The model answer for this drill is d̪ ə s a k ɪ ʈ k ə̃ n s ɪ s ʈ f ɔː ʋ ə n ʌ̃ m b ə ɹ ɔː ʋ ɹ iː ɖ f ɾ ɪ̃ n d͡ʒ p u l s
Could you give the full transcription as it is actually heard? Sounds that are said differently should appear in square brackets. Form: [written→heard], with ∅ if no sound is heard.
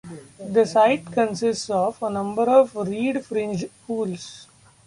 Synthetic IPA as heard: d̪ ə s a [k→∅] ɪ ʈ k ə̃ n s ɪ s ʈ [f→s] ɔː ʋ ə n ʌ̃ m b ə [ɹ→ɾ] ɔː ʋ [ɹ→ɾ] iː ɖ f ɾ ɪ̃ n d͡ʒ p [u→uː] l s